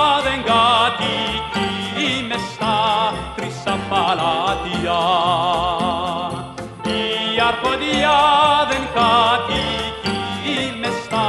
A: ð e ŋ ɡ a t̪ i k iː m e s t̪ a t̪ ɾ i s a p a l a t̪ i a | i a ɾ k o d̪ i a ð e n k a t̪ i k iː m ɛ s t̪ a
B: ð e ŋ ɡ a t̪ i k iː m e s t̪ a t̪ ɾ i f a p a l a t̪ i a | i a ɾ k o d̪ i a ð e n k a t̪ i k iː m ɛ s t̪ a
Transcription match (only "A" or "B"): A